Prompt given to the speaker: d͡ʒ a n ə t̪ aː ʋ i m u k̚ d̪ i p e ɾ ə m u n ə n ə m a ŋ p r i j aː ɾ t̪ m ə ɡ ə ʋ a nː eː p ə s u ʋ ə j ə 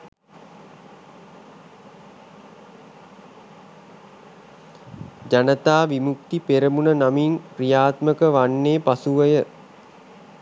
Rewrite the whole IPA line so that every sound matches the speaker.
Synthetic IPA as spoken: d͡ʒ a n ə t̪ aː ʋ i m u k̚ t̪ i p e ɾ ə m u n ə n a m i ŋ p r i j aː t̪ m ə k ə ʋ a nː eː p a s u ʋ ə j ə